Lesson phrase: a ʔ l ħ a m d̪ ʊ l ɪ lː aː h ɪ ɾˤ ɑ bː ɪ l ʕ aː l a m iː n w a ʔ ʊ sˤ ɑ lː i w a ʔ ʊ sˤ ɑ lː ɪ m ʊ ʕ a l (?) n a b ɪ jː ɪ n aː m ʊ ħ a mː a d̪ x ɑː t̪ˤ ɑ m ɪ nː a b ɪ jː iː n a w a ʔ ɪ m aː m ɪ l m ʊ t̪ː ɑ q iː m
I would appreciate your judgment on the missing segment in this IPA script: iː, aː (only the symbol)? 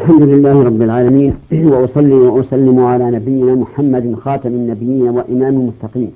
aː